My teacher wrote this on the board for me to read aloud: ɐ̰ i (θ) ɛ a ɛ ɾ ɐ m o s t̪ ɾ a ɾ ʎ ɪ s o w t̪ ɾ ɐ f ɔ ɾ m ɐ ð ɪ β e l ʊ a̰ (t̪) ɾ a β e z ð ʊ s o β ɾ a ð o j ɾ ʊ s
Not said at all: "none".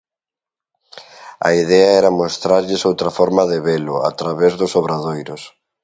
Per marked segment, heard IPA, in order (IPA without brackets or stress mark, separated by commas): ð, t̪